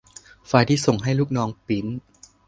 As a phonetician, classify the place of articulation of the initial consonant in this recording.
labial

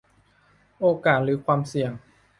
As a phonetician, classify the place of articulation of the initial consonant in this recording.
glottal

